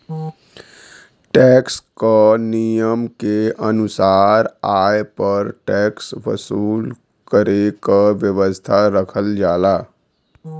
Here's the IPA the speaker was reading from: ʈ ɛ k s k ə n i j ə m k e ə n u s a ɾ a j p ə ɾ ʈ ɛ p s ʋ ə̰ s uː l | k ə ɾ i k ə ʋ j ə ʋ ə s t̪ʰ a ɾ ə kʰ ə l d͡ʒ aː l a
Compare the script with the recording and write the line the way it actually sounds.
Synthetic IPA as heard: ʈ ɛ k s k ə n i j ə m k e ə n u s a ɾ a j p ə ɾ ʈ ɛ k s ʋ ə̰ s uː l | k ə ɾ e k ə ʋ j ə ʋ ə s t̪ʰ a ɾ ə kʰ ə l d͡ʒ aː l a